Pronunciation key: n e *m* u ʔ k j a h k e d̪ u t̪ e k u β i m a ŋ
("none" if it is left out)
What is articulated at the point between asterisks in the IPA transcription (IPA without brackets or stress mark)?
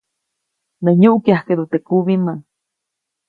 ɲ